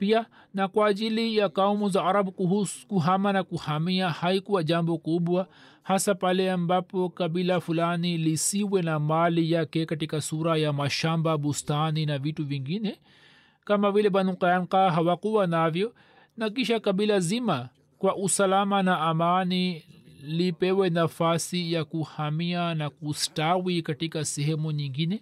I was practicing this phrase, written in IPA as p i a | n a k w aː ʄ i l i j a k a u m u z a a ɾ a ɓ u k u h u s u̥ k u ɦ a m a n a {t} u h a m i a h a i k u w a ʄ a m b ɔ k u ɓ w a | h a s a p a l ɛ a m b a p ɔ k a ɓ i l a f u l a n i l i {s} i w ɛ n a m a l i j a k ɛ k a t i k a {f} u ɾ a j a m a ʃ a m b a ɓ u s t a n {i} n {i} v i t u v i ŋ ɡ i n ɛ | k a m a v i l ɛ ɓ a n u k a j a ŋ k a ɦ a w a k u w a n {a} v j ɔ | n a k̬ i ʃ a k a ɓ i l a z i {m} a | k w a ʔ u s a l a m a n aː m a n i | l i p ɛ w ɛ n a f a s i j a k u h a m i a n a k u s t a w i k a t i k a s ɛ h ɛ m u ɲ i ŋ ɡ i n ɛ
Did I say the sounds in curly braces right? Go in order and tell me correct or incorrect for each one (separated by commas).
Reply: incorrect, correct, incorrect, correct, incorrect, correct, correct